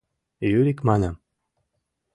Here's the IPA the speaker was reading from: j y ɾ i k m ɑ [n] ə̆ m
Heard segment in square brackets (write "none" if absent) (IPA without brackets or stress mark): n